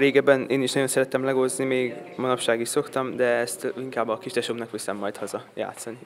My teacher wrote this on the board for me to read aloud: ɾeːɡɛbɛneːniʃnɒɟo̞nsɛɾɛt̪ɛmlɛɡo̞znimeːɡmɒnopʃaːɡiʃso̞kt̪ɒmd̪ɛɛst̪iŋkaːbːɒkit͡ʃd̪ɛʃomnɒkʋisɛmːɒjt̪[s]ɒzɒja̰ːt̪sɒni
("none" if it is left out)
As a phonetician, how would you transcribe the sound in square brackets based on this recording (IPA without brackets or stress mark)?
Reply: h